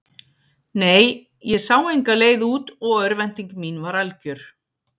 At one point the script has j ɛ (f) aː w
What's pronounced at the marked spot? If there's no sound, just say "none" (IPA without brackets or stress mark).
s